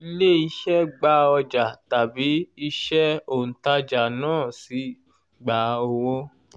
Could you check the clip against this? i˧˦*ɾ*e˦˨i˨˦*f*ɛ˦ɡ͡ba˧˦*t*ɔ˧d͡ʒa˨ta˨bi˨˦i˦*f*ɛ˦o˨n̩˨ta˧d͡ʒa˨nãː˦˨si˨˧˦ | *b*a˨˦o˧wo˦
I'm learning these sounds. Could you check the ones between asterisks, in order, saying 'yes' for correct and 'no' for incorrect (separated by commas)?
no, no, no, no, no